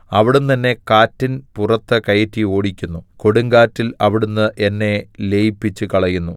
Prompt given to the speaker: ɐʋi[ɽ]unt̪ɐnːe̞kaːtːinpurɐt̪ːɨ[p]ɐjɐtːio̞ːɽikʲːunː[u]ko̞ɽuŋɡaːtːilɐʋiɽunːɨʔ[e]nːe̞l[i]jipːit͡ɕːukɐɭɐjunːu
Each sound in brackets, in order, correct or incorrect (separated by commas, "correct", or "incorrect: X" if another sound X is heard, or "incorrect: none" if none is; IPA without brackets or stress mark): correct, incorrect: k, correct, correct, incorrect: e